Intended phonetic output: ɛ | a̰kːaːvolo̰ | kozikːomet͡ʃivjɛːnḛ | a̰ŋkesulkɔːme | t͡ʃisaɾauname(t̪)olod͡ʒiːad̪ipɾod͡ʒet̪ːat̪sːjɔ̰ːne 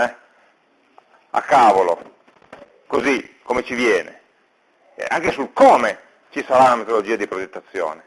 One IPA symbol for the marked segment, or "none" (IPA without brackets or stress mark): t̪